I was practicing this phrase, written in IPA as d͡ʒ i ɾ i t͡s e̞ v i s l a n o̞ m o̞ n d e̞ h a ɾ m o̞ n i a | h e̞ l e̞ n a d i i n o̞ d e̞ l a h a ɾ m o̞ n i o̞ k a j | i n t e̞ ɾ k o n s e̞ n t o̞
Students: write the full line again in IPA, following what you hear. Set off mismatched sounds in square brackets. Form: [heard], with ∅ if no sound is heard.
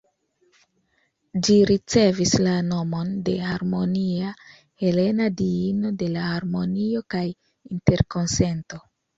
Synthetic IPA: d͡ʒ i ɾ i t͡s e̞ v i s l a n o̞ m o̞ n d e̞ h a ɾ m o̞ n i a | h e̞ l e̞ n a d i i n o̞ d e̞ l a h a ɾ m o̞ n i o̞ k a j | i n t e̞ ɾ k o n s e̞ n t o̞